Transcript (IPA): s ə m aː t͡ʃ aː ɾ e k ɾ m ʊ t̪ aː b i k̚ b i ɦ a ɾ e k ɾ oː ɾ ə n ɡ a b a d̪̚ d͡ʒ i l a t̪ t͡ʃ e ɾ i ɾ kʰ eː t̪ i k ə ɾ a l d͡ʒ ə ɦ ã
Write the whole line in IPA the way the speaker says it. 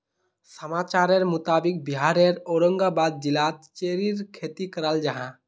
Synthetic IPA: s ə m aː t͡ʃ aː ɾ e ɾ m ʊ t̪ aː b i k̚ b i ɦ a ɾ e ɾ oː ɾ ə ŋ ɡ a b a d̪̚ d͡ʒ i l a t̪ t͡ʃ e ɾ i ɾ kʰ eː t̪ i k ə ɾ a l d͡ʒ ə ɦ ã